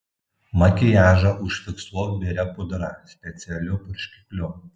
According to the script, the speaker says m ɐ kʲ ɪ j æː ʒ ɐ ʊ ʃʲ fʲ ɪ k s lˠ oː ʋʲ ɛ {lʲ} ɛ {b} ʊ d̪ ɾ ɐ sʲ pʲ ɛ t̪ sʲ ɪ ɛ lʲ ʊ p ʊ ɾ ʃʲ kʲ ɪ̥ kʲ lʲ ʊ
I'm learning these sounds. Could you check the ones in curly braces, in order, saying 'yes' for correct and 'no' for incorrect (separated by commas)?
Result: no, no